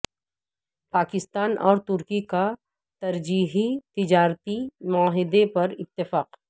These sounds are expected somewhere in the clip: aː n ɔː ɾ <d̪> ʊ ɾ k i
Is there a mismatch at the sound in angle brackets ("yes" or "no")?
yes